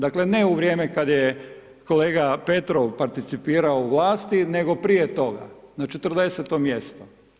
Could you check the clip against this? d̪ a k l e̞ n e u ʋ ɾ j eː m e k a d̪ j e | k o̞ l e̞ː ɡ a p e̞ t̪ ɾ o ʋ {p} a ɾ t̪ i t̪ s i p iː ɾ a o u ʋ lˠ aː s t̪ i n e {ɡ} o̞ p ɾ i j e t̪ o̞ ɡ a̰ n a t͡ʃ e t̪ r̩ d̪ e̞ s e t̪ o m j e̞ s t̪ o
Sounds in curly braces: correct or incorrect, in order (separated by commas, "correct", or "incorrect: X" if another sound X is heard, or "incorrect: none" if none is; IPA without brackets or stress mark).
correct, correct